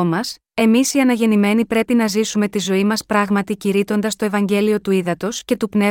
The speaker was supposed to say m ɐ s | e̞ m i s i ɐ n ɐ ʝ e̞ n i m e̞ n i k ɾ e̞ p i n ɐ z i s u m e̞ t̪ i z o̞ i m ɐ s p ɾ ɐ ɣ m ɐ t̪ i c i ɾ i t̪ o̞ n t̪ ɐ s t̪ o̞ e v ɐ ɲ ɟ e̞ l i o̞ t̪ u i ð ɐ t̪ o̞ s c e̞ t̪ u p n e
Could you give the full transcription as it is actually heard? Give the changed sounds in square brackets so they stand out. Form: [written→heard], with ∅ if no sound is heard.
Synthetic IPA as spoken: m ɐ s | e̞ m i s i ɐ n ɐ ʝ e̞ n i m e̞ n i [k→p] ɾ e̞ p i n ɐ z i s u m e̞ t̪ i z o̞ i m ɐ s p ɾ ɐ ɣ m ɐ t̪ i c i ɾ i t̪ o̞ n [t̪→d̪] ɐ s t̪ o̞ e v ɐ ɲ ɟ e̞ l i o̞ t̪ u i ð ɐ t̪ o̞ s c e̞ t̪ u p n e